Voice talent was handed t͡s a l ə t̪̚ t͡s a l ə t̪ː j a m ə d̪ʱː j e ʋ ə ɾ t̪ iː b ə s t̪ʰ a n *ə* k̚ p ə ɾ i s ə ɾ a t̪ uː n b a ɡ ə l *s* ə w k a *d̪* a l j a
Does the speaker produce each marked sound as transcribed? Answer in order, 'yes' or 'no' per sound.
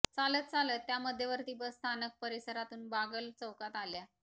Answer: yes, no, no

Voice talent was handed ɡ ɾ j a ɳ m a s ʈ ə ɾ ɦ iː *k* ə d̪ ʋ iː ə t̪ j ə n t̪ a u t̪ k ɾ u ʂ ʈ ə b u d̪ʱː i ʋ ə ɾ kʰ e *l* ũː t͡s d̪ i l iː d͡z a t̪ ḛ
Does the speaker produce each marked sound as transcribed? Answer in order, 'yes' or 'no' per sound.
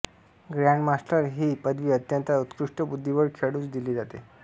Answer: no, no

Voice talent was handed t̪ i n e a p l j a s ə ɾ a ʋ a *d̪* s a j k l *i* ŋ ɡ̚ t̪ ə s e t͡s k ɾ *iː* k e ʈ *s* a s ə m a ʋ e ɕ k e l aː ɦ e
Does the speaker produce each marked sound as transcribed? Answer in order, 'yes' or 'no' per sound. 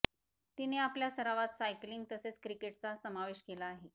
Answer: no, yes, no, no

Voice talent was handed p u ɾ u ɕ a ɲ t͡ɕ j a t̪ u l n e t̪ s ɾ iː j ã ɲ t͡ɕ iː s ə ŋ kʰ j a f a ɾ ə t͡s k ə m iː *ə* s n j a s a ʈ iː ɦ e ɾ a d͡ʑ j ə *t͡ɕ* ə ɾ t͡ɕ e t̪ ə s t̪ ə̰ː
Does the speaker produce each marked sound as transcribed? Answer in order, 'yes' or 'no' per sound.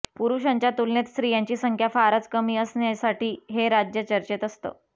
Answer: yes, yes

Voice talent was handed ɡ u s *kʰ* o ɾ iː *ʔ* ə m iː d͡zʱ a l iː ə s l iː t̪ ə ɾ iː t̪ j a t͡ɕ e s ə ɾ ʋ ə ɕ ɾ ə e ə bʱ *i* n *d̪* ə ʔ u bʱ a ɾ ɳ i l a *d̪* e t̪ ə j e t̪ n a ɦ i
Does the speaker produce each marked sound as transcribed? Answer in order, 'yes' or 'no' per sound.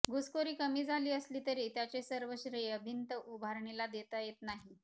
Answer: no, no, yes, no, yes

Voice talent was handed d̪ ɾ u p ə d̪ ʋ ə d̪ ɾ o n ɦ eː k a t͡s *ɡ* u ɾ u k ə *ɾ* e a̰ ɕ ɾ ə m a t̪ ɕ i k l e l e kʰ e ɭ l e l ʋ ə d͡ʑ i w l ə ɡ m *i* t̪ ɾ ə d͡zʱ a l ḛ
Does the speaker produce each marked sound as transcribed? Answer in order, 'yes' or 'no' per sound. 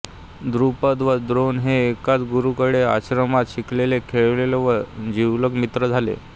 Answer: yes, no, yes

